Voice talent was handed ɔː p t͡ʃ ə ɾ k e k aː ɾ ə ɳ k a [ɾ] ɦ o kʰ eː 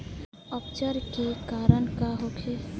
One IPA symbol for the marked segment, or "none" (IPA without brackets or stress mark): none